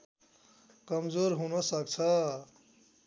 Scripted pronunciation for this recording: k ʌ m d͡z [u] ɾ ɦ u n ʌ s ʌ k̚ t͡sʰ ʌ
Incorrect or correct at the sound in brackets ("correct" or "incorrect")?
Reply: incorrect